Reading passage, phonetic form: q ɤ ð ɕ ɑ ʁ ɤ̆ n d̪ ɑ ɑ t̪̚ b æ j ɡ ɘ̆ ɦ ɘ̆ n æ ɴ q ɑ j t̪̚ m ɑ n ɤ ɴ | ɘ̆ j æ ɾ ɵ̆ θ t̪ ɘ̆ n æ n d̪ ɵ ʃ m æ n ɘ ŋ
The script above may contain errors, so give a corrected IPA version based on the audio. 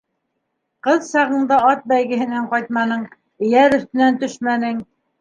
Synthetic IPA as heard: q ɤ ð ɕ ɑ ʁ ɤ̆ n d̪ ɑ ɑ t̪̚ b æ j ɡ ɘ̆ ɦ ɘ̆ n æ ɴ q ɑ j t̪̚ m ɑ n ɤ ɴ | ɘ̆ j æ ɾ ɵ̆ θ t̪ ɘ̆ n æ n t̪ ɵ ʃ m æ n ɘ ŋ